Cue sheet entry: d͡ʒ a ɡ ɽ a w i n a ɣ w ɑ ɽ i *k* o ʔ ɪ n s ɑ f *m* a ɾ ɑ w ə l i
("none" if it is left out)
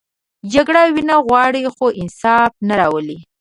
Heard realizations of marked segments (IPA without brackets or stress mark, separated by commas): x, n